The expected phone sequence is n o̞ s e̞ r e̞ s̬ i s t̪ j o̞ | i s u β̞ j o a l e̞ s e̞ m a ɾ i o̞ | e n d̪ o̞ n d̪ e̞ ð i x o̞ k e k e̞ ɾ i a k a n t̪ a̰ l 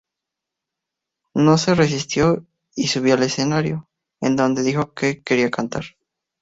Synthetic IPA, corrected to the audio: n o̞ s e̞ r e̞ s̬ i s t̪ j o̞ | i s u β̞ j o a l e̞ s e̞ n a ɾ j o̞ | e n d̪ o̞ n d̪ e̞ ð i x o̞ k e k e̞ ɾ i a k a n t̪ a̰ ɾ